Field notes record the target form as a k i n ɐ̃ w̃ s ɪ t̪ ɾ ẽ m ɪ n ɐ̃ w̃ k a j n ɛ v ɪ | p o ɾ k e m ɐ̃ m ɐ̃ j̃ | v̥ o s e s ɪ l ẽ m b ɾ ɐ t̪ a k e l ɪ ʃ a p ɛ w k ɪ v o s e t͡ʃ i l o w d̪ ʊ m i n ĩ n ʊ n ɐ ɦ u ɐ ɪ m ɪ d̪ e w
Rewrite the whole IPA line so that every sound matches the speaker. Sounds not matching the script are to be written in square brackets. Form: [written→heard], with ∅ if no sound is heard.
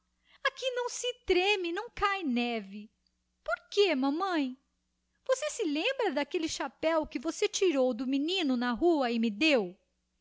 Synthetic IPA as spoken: a k i n ɐ̃ w̃ s ɪ t̪ ɾ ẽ m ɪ n ɐ̃ w̃ k a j n ɛ v ɪ | p o ɾ k e m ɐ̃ m ɐ̃ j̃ | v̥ o s e s ɪ l ẽ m b ɾ ɐ [t̪→d̪] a k e l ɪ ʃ a p ɛ w k ɪ v o s e t͡ʃ i [l→ɾ] o w d̪ ʊ m i n ĩ n ʊ n ɐ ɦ u ɐ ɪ m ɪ d̪ e w